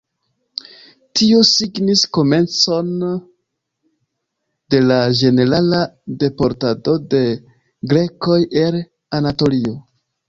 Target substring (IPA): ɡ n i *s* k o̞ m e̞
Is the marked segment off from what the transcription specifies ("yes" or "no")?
no